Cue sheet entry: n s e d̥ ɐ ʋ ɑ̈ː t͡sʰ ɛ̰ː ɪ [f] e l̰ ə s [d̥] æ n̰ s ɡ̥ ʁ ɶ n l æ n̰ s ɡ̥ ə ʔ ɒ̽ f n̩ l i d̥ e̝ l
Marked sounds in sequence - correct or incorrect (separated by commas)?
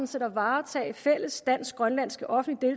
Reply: correct, correct